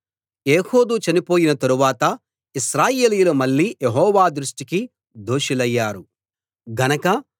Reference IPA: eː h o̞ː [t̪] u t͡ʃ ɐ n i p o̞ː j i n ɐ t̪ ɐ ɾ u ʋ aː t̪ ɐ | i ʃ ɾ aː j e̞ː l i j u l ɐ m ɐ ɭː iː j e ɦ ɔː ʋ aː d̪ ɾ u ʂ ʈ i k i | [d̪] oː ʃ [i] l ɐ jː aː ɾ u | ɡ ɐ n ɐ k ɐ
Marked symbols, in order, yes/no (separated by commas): no, yes, yes